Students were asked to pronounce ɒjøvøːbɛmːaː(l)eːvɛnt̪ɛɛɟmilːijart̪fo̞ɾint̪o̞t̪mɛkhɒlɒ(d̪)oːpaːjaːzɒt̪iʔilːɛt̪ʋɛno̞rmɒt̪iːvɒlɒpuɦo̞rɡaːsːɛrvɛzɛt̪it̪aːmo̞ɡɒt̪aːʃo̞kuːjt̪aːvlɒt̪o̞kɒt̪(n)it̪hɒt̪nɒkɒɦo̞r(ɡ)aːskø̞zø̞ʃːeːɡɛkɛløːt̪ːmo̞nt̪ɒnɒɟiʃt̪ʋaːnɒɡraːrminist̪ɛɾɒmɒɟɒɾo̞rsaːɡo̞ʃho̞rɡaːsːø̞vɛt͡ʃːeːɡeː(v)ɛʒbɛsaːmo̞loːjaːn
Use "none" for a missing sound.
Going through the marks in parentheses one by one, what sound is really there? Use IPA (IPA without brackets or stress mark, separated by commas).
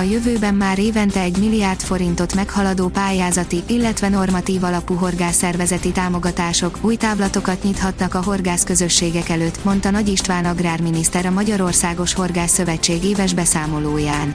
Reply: ɾ, d̪, ɲ, ɡ, v